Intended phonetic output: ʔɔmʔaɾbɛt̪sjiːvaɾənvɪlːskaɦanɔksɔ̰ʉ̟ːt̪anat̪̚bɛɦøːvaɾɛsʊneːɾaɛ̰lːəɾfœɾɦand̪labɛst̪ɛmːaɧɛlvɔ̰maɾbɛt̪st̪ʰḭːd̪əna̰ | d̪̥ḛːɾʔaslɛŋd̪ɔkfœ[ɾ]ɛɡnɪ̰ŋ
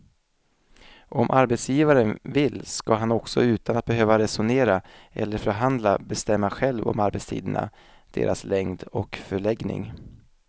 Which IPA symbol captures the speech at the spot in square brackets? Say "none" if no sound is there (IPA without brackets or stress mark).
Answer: ɭ